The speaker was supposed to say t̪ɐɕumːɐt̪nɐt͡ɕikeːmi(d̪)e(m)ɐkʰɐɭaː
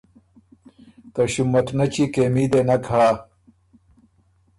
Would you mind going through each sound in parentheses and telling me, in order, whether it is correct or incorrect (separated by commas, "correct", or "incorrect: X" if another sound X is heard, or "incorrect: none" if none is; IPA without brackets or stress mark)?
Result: correct, incorrect: n